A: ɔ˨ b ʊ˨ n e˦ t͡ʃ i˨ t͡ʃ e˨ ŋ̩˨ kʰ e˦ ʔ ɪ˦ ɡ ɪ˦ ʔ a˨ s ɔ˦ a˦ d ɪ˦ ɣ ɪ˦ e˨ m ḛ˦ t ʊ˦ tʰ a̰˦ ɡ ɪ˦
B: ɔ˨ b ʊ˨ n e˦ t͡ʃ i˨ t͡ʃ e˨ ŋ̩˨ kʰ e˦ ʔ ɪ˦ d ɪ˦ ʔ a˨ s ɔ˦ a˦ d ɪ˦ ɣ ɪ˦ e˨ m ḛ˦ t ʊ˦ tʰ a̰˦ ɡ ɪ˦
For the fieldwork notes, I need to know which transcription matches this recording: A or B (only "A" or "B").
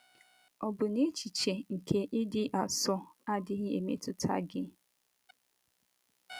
B